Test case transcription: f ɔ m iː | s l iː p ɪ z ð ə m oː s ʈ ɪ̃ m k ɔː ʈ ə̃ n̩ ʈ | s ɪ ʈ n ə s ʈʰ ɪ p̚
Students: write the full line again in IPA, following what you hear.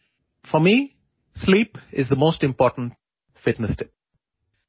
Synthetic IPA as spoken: f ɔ m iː | s l iː p ɪ z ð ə m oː s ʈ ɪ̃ m p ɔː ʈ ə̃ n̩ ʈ | f ɪ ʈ n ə s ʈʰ ɪ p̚